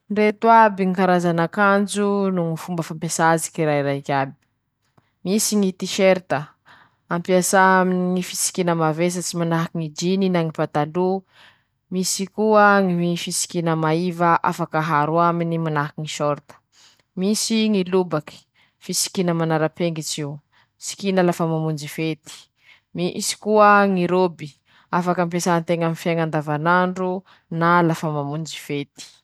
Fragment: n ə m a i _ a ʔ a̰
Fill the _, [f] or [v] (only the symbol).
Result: v